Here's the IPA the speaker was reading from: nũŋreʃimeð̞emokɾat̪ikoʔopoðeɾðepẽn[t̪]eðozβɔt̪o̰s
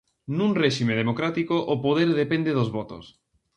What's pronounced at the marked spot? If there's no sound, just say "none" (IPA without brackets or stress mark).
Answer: d̪